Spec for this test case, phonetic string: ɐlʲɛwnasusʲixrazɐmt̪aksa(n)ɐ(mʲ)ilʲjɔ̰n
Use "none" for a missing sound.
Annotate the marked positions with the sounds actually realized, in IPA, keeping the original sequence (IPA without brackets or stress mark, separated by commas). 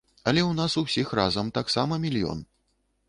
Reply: m, mʲ